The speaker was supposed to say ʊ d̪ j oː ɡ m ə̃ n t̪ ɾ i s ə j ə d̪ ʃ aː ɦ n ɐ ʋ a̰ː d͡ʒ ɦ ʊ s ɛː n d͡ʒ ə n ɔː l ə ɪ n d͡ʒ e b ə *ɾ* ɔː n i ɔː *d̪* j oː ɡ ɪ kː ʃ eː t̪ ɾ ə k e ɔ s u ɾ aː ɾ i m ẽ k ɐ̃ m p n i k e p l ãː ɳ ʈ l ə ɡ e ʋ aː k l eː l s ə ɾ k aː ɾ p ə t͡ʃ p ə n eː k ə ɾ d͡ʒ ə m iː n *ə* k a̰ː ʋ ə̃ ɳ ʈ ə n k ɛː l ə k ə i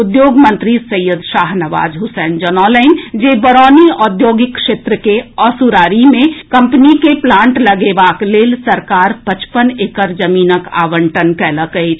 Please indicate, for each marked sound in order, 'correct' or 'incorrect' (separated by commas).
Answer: correct, correct, correct